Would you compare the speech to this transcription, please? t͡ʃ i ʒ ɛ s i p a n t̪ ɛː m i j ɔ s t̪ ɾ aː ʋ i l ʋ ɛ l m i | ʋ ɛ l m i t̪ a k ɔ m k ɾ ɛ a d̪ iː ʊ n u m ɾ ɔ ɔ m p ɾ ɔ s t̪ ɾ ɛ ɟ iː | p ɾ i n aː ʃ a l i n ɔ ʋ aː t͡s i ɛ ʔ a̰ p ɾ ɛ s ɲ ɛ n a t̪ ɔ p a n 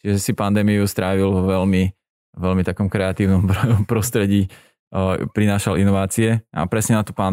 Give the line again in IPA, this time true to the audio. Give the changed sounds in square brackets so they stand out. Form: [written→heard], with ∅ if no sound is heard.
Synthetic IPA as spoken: t͡ʃ i ʒ ɛ s i p a n [t̪→d̪] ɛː m i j [ɔ→u] s t̪ ɾ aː ʋ i l ʋ ɛ l m i | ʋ ɛ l m i t̪ a k ɔ m k ɾ ɛ a [d̪→t̪] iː ʊ n [u→ɔ] m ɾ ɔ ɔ m p ɾ ɔ s t̪ ɾ ɛ ɟ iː | p ɾ i n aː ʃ a l i n ɔ ʋ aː t͡s i ɛ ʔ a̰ p ɾ ɛ s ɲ ɛ n a t̪ ɔ p a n